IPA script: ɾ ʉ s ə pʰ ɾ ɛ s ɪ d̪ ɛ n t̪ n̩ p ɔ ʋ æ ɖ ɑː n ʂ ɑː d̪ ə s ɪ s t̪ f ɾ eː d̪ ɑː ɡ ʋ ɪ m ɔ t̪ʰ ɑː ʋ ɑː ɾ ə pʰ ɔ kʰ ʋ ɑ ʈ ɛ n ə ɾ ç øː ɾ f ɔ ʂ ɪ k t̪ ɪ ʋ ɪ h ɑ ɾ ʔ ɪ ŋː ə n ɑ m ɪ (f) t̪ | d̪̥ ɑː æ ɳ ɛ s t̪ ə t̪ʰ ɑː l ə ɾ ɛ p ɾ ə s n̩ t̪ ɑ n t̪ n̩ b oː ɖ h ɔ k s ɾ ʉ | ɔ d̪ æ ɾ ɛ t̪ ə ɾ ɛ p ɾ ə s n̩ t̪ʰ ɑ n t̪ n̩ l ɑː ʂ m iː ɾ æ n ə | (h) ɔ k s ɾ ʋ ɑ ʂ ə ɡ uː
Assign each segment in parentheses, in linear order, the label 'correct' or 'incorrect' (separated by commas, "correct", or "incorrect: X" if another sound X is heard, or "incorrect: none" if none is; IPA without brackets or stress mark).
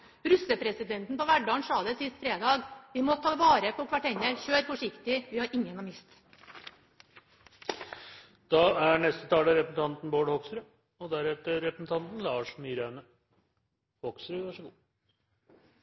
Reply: incorrect: s, correct